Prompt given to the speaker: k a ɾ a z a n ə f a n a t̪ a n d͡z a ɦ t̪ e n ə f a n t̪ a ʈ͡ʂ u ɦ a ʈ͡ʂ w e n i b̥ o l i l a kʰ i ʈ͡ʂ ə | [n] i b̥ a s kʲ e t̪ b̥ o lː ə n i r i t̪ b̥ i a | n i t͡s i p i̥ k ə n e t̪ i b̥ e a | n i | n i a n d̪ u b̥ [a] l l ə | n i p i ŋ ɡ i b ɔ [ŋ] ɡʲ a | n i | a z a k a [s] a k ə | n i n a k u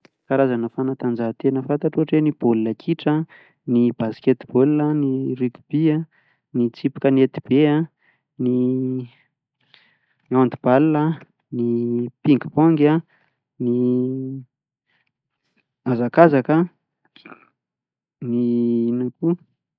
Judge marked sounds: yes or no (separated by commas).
yes, yes, yes, no